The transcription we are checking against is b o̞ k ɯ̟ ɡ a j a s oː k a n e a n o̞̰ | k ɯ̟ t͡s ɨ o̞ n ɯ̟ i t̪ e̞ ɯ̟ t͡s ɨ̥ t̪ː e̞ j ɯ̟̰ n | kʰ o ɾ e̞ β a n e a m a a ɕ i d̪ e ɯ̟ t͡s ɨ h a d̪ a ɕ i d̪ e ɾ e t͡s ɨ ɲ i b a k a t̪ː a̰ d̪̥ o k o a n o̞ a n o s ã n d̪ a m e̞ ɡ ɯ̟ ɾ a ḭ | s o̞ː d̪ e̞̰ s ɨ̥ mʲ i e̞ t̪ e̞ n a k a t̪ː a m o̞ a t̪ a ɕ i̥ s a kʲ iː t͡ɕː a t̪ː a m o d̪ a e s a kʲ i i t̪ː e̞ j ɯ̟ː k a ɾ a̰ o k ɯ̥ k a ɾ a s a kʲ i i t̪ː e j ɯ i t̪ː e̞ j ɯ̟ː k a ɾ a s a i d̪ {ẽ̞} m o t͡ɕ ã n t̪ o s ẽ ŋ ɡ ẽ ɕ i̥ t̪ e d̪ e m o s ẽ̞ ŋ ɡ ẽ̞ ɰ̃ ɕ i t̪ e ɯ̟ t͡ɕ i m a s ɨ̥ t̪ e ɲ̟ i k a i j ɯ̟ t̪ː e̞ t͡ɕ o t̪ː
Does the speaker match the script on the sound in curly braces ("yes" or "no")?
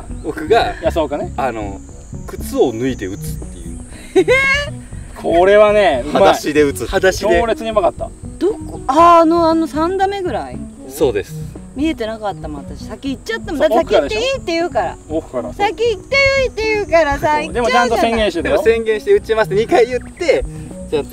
no